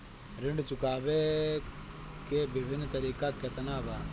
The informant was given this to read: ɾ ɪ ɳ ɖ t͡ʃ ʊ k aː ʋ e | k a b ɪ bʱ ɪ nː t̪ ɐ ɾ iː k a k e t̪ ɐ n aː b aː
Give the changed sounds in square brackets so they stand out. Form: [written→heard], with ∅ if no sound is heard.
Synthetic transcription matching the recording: ɾ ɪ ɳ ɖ t͡ʃ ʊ k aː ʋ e | k [a→e] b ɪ bʱ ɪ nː t̪ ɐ ɾ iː k a k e t̪ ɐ n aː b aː